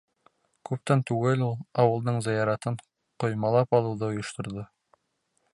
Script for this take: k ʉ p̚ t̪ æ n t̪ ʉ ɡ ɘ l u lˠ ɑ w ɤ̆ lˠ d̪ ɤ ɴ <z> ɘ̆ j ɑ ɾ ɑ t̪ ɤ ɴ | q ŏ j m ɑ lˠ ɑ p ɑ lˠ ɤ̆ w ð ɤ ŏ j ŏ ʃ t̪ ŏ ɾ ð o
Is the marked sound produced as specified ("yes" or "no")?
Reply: yes